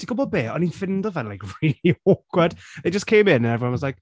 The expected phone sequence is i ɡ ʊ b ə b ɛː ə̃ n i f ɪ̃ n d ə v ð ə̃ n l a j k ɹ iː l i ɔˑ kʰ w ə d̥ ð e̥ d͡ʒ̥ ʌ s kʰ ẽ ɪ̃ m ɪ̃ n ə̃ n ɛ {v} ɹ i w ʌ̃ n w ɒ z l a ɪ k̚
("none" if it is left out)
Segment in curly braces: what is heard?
v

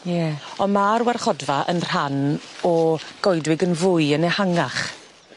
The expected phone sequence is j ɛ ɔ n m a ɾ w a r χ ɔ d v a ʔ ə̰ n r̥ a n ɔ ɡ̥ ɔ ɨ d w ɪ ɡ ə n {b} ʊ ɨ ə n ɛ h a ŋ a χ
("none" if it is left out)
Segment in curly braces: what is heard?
v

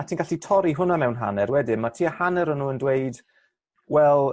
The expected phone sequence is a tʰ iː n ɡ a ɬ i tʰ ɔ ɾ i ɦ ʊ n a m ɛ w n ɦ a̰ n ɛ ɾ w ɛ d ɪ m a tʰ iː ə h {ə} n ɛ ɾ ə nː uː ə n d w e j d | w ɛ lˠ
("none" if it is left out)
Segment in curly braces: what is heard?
a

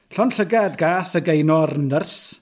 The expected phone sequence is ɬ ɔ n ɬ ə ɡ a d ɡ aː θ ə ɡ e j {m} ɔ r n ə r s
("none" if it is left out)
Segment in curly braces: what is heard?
n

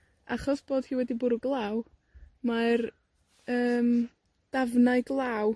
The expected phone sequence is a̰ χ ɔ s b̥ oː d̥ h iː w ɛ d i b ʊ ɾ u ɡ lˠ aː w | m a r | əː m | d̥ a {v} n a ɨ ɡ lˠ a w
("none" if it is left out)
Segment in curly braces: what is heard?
v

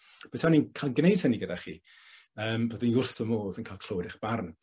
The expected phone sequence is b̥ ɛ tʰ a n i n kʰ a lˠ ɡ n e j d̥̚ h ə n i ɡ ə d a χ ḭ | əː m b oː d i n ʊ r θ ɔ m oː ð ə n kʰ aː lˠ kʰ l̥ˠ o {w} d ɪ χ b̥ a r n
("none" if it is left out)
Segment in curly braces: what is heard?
w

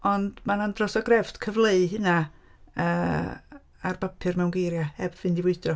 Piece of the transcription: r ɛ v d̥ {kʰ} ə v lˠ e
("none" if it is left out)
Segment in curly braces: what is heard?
kʰ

